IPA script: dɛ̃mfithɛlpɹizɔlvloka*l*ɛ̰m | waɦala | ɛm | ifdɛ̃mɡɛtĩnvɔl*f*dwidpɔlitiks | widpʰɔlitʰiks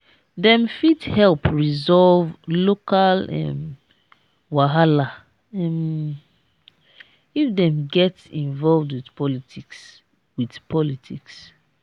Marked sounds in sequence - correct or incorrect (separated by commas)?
correct, incorrect